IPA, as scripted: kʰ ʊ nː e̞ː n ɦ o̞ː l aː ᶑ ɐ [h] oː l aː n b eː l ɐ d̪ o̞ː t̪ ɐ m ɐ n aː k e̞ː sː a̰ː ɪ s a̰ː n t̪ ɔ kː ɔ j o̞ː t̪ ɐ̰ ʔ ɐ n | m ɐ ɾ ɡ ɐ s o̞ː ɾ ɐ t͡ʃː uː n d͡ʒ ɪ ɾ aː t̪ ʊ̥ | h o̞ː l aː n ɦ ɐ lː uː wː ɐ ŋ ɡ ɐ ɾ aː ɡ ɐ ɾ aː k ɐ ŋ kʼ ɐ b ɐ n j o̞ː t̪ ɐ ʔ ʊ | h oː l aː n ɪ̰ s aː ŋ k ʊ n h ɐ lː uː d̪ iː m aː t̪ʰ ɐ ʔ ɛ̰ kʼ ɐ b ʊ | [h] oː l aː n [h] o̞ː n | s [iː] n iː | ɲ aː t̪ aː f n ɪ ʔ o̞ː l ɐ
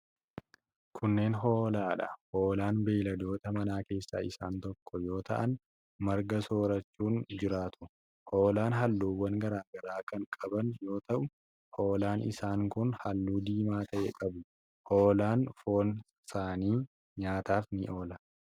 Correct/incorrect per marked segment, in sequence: correct, correct, incorrect: f, incorrect: aː

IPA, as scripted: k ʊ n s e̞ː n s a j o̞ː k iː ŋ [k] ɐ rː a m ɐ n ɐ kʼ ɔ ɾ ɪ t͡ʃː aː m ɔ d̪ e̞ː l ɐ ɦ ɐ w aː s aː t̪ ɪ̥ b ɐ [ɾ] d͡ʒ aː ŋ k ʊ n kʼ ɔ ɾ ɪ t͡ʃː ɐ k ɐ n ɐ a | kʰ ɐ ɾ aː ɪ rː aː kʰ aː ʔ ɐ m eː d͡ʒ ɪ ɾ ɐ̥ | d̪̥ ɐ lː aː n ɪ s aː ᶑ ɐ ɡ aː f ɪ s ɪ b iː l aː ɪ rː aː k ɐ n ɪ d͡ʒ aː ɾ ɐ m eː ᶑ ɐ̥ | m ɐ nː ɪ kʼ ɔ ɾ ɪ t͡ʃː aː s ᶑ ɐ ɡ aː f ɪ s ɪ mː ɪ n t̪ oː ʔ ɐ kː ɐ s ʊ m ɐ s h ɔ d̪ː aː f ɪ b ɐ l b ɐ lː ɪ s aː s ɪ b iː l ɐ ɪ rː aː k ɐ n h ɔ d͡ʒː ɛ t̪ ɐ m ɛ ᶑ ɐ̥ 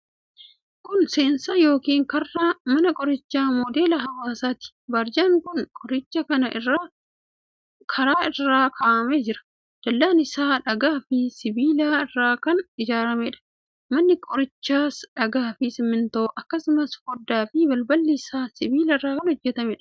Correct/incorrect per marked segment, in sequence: correct, correct

